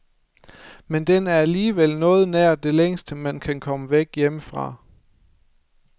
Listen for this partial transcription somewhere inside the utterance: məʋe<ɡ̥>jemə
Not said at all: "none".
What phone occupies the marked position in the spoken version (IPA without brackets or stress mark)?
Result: ɡ̥